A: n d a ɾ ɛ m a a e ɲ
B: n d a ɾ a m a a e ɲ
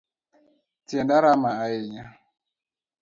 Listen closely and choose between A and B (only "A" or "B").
B